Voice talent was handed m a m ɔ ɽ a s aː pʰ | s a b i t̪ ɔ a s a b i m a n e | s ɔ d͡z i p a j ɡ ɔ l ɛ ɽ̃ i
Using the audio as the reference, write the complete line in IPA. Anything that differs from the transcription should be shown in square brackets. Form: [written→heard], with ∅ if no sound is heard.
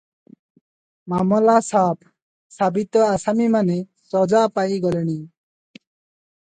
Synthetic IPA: m a m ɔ [ɽ→l] a s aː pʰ | s a b i t̪ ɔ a s a [b→m] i m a n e | s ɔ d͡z [i→a] p a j ɡ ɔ l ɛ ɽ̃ i